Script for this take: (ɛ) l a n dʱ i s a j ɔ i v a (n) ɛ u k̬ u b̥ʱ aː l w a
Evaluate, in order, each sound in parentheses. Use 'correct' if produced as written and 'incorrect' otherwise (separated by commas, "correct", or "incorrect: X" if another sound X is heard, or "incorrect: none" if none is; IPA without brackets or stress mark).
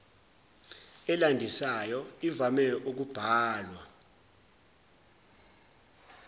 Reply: correct, incorrect: m